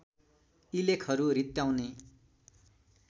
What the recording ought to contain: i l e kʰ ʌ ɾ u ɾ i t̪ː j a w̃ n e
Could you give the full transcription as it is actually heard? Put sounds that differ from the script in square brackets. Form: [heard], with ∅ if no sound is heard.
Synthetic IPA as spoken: i l e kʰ ʌ ɾ u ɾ i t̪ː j a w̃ n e